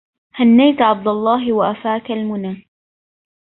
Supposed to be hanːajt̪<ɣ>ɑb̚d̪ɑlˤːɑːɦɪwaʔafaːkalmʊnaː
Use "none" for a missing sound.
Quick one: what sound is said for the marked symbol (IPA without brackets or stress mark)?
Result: ʕ